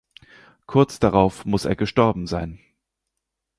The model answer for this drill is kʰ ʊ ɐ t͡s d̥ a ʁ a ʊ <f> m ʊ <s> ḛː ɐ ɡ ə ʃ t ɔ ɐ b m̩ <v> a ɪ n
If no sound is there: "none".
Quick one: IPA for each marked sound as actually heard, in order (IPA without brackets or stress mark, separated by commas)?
f, s, z